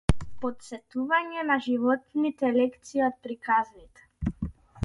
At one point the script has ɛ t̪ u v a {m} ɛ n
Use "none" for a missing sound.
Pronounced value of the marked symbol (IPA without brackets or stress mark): ɲ